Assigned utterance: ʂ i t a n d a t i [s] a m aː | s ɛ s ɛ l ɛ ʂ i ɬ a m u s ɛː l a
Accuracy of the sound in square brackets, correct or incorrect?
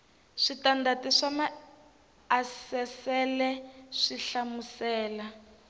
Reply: incorrect